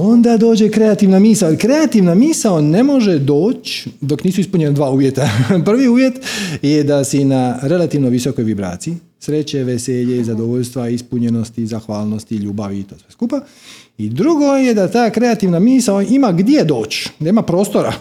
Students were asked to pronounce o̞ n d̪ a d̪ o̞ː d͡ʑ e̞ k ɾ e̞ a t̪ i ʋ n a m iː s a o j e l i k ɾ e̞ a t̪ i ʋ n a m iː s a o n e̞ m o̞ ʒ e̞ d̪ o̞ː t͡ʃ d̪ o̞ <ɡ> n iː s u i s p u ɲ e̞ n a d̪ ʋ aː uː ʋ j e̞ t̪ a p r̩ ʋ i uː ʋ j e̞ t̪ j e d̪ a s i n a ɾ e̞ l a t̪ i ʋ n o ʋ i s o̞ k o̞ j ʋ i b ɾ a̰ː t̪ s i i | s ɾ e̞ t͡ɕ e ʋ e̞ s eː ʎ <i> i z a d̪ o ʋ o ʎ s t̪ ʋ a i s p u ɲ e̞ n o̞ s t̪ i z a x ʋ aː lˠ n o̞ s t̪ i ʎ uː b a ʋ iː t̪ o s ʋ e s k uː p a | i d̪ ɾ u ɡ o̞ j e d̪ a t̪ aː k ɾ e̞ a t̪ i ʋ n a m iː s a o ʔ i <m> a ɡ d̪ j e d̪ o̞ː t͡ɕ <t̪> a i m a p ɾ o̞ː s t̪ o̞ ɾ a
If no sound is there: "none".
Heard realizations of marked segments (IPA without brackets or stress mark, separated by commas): k, e, m, d̪